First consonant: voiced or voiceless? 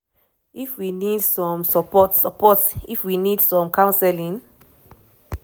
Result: voiceless